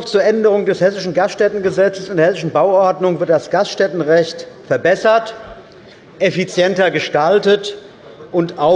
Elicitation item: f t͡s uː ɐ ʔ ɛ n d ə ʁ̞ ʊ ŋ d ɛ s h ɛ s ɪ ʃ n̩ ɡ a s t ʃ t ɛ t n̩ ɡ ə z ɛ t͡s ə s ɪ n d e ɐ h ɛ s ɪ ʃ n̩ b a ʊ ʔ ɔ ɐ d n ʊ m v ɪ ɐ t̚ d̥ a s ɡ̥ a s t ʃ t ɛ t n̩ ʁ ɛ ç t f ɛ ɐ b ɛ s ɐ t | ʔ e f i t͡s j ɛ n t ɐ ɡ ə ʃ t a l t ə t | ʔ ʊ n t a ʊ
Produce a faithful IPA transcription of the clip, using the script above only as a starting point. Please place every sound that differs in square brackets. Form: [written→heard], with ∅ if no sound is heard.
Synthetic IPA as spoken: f t͡s uː ɐ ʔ ɛ n d ə ʁ̞ ʊ ŋ d ɛ s h ɛ s ɪ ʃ n̩ ɡ a s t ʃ t ɛ t n̩ ɡ ə z ɛ t͡s ə s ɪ n d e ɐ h ɛ s ɪ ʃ n̩ b a ʊ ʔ ɔ ɐ d n ʊ [m→ŋ] v ɪ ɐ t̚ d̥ a s ɡ̥ a s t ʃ t ɛ t n̩ ʁ ɛ ç t f ɛ ɐ b ɛ s ɐ t | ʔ e f i t͡s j ɛ n t ɐ ɡ ə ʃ t a l t ə t | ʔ ʊ n t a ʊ